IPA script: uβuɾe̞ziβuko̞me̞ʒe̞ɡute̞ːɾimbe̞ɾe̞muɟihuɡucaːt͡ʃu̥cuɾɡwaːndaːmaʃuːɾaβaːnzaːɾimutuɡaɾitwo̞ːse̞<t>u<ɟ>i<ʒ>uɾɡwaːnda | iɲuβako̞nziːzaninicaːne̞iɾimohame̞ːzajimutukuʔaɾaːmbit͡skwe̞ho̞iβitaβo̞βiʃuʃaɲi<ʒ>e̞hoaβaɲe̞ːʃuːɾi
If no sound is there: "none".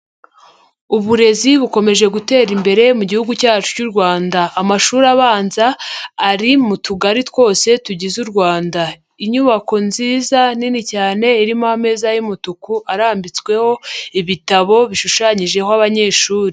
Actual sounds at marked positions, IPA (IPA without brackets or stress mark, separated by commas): t, ɟ, z, ʒ